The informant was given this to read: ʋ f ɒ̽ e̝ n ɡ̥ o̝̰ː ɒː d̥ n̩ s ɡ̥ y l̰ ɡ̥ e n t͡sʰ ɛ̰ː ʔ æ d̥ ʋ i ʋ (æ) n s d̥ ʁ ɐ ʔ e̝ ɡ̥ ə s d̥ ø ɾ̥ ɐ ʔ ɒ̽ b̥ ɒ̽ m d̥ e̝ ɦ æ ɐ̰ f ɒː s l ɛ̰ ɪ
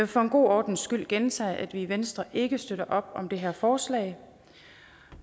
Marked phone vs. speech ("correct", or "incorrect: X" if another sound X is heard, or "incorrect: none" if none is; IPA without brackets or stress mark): incorrect: e